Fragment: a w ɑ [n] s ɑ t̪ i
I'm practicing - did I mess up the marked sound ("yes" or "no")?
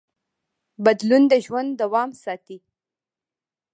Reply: yes